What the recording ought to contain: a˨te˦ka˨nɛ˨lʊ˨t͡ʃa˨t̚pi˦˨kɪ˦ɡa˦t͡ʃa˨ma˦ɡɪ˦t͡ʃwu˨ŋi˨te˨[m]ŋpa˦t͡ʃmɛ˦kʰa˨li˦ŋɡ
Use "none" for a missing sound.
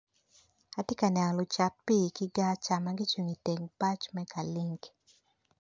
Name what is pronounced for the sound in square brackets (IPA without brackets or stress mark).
none